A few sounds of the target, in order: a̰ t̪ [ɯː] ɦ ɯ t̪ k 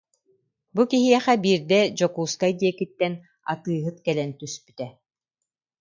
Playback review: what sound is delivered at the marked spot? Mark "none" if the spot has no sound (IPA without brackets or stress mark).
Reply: ɯː